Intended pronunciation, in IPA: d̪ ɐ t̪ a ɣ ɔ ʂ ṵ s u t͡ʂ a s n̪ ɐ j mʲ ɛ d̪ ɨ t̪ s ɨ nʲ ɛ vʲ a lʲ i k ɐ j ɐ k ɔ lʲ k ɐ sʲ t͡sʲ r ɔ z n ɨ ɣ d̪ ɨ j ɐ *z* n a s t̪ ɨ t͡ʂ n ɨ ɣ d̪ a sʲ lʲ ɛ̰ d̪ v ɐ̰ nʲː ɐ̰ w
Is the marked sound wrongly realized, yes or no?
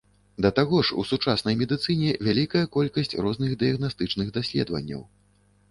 yes